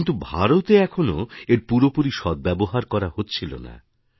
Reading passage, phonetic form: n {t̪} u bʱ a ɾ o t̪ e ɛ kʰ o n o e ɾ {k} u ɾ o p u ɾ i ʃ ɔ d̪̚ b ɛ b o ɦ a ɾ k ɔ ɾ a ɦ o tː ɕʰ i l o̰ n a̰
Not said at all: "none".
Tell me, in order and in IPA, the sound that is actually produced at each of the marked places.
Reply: t̪, p

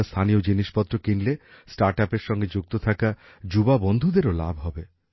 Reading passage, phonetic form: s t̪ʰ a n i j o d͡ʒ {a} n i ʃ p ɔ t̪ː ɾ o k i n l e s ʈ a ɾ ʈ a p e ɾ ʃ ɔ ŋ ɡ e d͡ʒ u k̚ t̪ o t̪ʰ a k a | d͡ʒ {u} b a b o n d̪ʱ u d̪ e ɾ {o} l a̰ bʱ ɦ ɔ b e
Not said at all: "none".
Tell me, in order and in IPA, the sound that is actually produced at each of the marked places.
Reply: i, u, o

